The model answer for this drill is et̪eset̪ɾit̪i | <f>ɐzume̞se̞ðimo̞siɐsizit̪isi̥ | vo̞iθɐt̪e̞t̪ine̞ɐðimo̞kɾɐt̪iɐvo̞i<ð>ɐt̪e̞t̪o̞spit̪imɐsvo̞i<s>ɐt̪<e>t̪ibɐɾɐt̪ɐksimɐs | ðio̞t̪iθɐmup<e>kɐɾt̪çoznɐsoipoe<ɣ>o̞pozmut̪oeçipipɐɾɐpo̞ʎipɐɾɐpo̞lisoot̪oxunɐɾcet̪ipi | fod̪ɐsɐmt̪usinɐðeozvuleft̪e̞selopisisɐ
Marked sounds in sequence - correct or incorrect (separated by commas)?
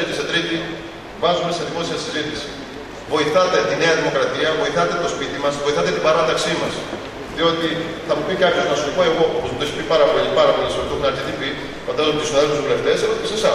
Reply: incorrect, incorrect, incorrect, correct, incorrect, correct